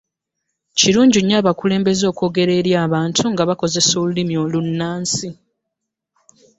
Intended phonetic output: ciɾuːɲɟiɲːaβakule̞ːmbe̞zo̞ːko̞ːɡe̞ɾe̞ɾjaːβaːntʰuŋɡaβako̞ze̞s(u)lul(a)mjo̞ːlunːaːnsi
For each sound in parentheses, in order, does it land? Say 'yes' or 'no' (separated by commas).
no, no